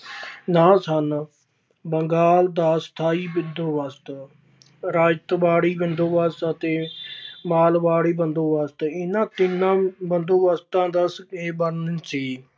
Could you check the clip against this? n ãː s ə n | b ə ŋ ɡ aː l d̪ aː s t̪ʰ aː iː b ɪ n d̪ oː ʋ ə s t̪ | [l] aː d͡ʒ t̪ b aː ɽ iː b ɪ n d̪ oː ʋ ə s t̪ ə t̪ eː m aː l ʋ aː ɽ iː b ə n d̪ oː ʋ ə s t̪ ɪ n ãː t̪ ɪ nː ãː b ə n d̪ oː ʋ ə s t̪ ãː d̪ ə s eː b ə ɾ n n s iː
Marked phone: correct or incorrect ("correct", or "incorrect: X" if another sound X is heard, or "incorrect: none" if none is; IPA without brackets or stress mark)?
incorrect: ɾ